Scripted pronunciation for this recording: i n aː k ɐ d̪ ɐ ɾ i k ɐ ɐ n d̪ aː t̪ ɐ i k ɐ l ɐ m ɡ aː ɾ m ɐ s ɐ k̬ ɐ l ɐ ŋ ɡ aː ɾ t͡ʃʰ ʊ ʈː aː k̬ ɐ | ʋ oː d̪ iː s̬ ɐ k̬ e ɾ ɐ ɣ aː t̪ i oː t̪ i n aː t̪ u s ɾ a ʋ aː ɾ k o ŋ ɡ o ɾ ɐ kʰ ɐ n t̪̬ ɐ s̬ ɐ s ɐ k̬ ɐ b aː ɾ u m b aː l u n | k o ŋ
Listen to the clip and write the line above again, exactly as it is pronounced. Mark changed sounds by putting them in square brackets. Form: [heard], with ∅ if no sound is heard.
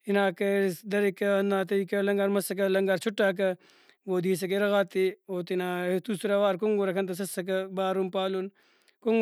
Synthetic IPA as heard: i n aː k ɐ d̪ ɐ ɾ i k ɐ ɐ n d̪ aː t̪ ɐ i k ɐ l ɐ [ŋ] ɡ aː ɾ m ɐ s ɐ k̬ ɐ l ɐ ŋ ɡ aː ɾ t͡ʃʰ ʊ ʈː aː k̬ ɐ | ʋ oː d̪ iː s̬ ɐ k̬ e ɾ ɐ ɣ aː t̪ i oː t̪ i n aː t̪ u s ɾ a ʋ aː ɾ k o ŋ ɡ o ɾ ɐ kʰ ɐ n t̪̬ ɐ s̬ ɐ s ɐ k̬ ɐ b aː ɾ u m [p] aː l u n | k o ŋ